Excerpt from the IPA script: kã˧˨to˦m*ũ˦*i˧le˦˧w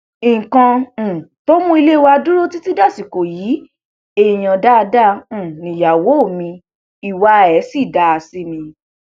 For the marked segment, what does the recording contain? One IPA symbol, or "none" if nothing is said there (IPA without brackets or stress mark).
ũ˦